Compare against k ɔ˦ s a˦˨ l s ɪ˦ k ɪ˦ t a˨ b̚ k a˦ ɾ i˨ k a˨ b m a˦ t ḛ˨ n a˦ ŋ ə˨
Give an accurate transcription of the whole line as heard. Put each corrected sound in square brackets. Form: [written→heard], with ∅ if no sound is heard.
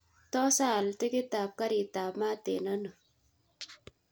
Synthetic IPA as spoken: [k→t] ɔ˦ s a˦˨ l [s→t] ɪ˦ k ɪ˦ t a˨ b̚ k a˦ ɾ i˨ [k→t] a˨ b m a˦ t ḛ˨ n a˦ [ŋ→n] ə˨

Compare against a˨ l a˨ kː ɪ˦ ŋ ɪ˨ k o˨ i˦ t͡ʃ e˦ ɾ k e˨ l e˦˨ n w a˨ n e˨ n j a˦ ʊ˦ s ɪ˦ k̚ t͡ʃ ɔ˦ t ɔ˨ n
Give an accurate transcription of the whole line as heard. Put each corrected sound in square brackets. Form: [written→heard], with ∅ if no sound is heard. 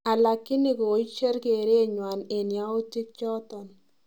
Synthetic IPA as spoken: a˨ l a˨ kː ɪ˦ [ŋ→n] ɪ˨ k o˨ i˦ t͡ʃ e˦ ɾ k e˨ [l→ɾ] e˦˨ [n→ɲ] w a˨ n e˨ n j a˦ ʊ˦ [s→t] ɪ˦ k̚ t͡ʃ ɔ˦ t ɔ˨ n

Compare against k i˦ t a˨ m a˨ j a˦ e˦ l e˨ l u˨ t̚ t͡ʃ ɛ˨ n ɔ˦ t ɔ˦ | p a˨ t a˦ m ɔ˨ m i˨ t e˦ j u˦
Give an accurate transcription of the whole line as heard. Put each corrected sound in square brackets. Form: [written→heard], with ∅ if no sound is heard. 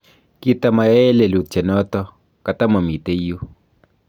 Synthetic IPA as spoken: k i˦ t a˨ m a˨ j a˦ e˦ l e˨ l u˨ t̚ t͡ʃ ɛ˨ n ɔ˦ t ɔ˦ | [p→k] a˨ t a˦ m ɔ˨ m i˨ t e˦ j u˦

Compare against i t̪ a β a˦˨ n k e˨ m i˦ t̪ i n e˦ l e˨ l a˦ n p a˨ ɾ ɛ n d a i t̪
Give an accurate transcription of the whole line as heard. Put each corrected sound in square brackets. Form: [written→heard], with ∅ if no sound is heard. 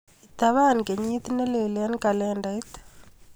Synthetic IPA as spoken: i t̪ a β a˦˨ n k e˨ [m→ɲ] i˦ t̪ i n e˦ l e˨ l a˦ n [p→k] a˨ [ɾ→l] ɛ n d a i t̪

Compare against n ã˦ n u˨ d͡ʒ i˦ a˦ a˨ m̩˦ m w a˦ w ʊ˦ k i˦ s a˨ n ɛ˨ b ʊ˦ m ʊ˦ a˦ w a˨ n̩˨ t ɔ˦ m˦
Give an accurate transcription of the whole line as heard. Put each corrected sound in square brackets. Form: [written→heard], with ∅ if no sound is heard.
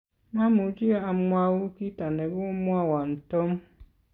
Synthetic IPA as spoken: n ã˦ [n→m] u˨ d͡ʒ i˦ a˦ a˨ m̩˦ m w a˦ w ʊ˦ k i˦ [s→t] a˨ n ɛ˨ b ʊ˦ m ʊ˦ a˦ w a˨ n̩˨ t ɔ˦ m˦

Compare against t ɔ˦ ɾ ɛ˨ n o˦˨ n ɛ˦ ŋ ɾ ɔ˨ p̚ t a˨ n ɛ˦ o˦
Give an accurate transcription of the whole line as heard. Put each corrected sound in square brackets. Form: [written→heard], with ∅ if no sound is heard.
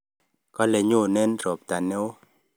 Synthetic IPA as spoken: [t→k] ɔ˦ [ɾ→l] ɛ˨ [n→ɲ] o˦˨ n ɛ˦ [ŋ→n] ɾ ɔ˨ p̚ t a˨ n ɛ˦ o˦

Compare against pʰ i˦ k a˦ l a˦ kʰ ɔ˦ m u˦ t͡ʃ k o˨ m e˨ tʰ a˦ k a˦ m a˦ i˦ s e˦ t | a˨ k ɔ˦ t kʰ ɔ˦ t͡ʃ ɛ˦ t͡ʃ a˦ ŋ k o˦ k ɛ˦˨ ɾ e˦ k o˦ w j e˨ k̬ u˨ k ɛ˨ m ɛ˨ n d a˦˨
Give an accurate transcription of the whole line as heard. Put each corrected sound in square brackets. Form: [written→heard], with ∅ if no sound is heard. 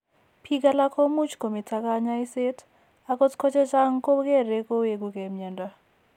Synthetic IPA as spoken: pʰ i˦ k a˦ l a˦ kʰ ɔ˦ m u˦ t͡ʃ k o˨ m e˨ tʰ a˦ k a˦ [m→ɲ] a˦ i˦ s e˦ t | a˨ k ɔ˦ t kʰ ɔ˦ t͡ʃ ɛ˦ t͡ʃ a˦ ŋ k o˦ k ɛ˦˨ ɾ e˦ k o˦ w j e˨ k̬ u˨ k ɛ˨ m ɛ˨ n d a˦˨

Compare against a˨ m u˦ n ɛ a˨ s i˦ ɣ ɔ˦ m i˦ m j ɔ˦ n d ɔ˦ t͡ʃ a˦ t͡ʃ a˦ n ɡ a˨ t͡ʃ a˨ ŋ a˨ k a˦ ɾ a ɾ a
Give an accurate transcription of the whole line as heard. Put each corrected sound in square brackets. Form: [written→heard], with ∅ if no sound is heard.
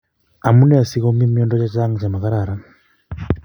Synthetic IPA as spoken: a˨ m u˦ n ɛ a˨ s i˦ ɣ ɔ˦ m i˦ m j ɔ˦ n d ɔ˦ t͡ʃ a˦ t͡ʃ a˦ [n→ŋ] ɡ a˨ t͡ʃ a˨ [ŋ→m] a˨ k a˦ ɾ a ɾ a

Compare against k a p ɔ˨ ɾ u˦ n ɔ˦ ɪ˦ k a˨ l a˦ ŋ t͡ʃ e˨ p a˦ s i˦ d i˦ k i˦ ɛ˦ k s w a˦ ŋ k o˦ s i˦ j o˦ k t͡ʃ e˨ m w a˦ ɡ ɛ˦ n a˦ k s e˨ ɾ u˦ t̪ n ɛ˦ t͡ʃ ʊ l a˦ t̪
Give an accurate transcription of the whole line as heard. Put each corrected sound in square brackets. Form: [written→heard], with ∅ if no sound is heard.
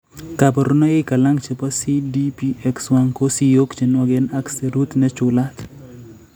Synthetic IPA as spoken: k a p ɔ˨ ɾ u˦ n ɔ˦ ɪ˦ k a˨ l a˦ ŋ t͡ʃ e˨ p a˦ s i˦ d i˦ [k→p] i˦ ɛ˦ k s w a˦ ŋ k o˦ s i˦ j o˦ k t͡ʃ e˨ [m→n] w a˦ ɡ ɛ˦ n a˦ k s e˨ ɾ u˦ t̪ n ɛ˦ t͡ʃ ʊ l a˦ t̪

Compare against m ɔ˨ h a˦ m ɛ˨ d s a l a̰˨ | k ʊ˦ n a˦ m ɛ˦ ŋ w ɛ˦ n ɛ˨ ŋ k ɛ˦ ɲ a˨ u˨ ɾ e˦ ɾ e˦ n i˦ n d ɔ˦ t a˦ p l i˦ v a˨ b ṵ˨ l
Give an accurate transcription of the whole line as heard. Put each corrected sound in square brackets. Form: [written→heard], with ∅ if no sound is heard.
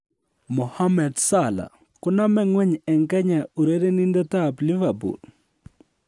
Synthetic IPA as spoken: m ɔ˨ h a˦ m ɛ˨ d s a l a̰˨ | k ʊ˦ n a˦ m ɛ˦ ŋ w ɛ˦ [n→ɲ] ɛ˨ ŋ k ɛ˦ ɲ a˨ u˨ ɾ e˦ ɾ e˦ n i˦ n d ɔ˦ t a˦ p l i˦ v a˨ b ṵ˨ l

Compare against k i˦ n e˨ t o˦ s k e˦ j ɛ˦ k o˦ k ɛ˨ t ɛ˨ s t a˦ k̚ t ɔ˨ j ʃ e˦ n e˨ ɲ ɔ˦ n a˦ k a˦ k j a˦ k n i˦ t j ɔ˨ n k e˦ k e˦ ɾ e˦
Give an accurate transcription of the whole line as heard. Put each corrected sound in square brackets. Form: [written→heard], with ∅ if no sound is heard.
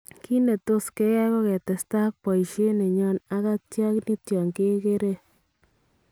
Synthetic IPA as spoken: k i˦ n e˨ t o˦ s k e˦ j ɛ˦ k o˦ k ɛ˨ t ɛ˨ s t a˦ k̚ [t→p] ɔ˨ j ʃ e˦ n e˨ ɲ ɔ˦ n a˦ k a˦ [k→t] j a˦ k n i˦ t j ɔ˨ [n→ŋ] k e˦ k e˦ ɾ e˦

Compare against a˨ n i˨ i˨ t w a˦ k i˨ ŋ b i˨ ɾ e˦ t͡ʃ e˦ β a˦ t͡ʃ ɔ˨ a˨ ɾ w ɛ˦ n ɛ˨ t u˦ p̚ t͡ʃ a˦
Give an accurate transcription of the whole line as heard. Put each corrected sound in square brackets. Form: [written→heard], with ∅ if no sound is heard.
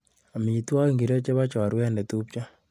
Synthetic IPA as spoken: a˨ [n→m] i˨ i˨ t w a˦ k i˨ ŋ [b→ɡ] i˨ ɾ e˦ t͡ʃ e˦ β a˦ t͡ʃ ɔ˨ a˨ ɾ w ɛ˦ n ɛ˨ t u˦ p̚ t͡ʃ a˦

